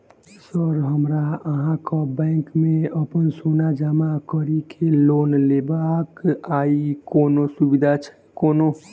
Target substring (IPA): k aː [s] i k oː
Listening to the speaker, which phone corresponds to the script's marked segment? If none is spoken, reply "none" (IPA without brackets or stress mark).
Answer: none